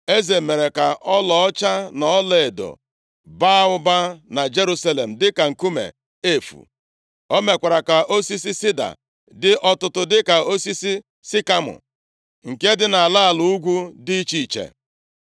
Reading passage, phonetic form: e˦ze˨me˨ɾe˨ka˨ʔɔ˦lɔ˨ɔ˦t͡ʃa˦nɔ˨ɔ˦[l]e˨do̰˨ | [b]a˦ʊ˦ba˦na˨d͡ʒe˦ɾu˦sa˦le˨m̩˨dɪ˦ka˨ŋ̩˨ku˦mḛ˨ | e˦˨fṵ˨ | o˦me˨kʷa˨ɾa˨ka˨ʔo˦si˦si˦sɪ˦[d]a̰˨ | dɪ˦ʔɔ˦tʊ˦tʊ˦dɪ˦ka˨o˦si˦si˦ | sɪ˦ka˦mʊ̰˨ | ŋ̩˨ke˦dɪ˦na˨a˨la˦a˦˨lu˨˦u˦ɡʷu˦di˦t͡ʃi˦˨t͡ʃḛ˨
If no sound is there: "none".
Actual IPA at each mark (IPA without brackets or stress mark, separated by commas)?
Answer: l, b, d